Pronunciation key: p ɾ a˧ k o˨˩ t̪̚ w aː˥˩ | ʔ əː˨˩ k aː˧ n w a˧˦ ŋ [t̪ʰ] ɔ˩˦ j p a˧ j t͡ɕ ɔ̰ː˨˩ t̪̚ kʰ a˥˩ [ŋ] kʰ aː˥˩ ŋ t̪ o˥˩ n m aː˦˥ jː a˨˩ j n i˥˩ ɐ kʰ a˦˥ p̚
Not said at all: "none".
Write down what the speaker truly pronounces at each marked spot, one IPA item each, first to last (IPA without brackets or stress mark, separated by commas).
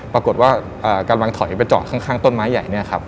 t̪ʰ, ŋ